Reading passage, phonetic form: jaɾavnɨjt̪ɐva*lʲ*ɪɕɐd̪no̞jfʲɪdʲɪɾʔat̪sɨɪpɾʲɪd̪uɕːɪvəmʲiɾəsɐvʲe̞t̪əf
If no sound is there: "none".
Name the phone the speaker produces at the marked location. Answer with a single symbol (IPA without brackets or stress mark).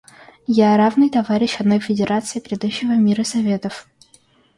ɾʲ